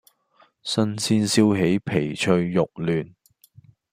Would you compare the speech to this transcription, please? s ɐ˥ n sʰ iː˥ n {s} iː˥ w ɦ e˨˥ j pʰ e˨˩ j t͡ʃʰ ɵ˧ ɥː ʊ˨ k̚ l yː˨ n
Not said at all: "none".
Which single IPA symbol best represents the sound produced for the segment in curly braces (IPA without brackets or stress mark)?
s